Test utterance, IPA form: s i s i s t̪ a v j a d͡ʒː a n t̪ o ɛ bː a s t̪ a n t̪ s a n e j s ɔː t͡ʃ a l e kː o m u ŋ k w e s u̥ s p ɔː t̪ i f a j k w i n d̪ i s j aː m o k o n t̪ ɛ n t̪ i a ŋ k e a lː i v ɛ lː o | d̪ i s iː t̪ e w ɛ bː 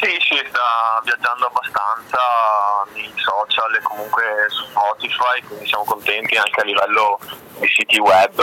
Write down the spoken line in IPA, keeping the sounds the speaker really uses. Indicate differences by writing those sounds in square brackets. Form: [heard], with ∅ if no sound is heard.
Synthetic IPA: s i s i s t̪ a v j a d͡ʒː a n [d̪] o [a] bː a s t̪ a n t̪ s a n e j s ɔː t͡ʃ a l e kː o m u ŋ k w e s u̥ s p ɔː t̪ i f a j k w i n d̪ i s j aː m o k o n t̪ ɛ n t̪ i a ŋ k e a lː i v ɛ lː o | d̪ i s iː t̪ [i] w ɛ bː